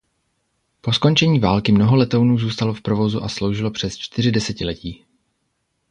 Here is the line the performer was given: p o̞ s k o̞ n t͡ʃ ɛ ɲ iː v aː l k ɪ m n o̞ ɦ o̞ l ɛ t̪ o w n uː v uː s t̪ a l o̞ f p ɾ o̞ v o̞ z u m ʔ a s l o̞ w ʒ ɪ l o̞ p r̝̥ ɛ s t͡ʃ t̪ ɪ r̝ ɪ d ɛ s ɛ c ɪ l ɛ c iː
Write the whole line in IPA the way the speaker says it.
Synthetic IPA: p o̞ s k o̞ n t͡ʃ ɛ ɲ iː v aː l k ɪ m n o̞ ɦ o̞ l ɛ t̪ o w n uː z uː s t̪ a l o̞ f p ɾ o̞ v o̞ z u ʔ a s l o̞ w ʒ ɪ l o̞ p r̝̥ ɛ s t͡ʃ t̪ ɪ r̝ ɪ d ɛ s ɛ c ɪ l ɛ c iː